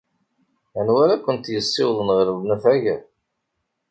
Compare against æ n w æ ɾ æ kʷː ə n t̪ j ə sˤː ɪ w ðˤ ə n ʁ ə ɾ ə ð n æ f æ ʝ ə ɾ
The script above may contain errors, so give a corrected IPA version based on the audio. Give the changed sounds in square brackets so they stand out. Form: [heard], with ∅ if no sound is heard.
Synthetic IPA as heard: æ n w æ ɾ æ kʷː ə n t̪ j ə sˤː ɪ w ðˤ ə n ʁ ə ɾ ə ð n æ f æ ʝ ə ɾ